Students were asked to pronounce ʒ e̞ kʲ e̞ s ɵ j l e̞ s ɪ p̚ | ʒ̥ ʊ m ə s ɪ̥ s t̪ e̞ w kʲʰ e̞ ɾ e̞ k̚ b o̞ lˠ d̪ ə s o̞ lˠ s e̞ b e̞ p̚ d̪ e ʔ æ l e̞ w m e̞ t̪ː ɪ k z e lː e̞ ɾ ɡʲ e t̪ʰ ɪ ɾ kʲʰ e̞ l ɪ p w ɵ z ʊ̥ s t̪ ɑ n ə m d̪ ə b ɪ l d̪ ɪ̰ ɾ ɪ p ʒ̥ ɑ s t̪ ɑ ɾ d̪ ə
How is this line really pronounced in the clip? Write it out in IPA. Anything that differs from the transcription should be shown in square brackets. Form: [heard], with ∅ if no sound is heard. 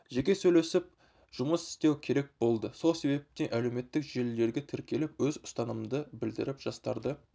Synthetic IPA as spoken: ʒ e̞ kʲ e̞ s ɵ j l e̞ s ɪ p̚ | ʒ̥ ʊ m ə s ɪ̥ s t̪ e̞ w kʲʰ e̞ ɾ e̞ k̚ b o̞ lˠ d̪ ə s o̞ lˠ s e̞ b e̞ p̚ [t̪] e ʔ æ l e̞ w m e̞ t̪ː ɪ k [ʒ] e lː e̞ ɾ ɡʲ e t̪ʰ ɪ ɾ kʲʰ e̞ l ɪ p w ɵ z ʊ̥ s t̪ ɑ n ə m d̪ ə b ɪ l d̪ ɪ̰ ɾ ɪ p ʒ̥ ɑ s t̪ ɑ ɾ d̪ ə